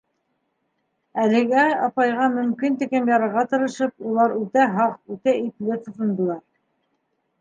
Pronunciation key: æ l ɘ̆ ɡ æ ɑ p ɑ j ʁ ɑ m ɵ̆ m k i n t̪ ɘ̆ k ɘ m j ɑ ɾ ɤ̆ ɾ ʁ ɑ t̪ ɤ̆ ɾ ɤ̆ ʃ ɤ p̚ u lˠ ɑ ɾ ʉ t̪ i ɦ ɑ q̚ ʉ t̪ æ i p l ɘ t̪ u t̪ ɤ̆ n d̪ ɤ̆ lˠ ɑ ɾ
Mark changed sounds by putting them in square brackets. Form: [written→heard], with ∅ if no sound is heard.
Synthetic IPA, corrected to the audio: æ l ɘ̆ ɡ æ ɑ p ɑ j ʁ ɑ m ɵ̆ m k i n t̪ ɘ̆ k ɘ m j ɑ ɾ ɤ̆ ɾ ʁ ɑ t̪ ɤ̆ ɾ ɤ̆ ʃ ɤ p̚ u lˠ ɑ ɾ ʉ t̪ [i→æ] ɦ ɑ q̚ ʉ t̪ æ i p l ɘ t̪ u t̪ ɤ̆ n d̪ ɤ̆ lˠ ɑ ɾ